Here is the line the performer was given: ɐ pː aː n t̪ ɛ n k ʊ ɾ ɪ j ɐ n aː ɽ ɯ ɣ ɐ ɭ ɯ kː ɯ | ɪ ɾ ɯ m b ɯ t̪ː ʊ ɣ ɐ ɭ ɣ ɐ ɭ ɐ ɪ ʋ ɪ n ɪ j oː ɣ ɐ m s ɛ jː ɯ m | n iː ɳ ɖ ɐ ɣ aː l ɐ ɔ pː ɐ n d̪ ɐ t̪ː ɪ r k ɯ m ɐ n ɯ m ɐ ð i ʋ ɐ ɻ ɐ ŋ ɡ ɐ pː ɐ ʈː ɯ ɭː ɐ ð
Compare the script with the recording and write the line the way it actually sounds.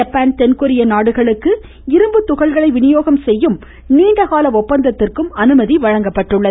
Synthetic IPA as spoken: ɐ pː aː n t̪ ɛ n k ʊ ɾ ɪ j ɐ n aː ɽ ɯ ɣ ɐ ɭ ɯ kː ɯ | ɪ ɾ ɯ m b ɯ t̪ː ʊ ɣ ɐ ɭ ɣ ɐ ɭ ɐ ɪ ʋ ɪ n ɪ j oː ɣ ɐ m s ɛ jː ɯ m | n iː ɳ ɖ ɐ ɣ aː l ɐ ɔ pː ɐ n d̪ ɐ t̪ː ɪ r k ɯ m ɐ n ɯ m ɐ ð i ʋ ɐ ɻ ɐ ŋ ɡ ɐ pː ɐ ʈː ɯ ɭː ɐ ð

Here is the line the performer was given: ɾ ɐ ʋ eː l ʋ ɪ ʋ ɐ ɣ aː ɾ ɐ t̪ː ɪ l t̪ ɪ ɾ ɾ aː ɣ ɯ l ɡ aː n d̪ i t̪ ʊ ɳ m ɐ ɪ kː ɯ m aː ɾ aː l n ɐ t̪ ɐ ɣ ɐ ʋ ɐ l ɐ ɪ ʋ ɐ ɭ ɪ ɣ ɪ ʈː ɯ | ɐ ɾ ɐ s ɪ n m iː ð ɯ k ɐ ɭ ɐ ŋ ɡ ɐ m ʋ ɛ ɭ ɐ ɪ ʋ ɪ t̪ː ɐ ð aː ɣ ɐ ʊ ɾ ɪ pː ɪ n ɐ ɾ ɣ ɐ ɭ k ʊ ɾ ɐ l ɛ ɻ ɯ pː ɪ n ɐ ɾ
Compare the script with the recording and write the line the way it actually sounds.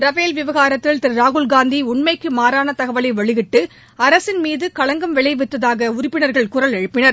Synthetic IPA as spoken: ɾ ɐ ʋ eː l ʋ ɪ ʋ ɐ ɣ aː ɾ ɐ t̪ː ɪ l t̪ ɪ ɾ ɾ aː ɣ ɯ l ɡ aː n d̪ i ʊ ɳ m ɐ ɪ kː ɯ m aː ɾ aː n ɐ t̪ ɐ ɣ ɐ ʋ ɐ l ɐ ɪ ʋ ɐ ɭ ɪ ɣ ɪ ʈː ɯ | ɐ ɾ ɐ s ɪ n m iː ð ɯ k ɐ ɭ ɐ ŋ ɡ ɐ m ʋ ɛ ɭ ɐ ɪ ʋ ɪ t̪ː ɐ ð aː ɣ ɐ ʊ ɾ ɪ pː ɪ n ɐ ɾ ɣ ɐ ɭ k ʊ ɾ ɐ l ɛ ɻ ɯ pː ɪ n ɐ ɾ

